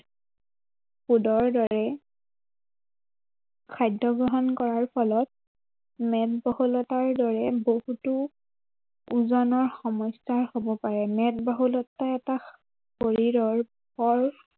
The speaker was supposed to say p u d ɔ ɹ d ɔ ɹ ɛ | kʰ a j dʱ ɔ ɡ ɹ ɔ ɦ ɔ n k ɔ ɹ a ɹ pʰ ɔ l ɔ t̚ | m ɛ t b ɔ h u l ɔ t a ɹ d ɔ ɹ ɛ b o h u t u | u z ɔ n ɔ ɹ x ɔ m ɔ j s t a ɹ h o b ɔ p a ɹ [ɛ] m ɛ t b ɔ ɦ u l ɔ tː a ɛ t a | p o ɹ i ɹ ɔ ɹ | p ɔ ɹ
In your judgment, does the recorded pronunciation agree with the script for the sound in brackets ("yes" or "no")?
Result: yes